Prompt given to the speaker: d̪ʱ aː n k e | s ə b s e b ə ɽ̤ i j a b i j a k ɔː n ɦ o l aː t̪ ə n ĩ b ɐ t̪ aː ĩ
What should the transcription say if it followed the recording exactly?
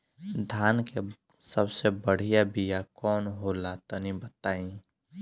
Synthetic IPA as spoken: d̪ʱ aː n k e | s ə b s e b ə ɽ̤ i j a b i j a k ɔː n ɦ o l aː t̪ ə n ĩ b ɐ t̪ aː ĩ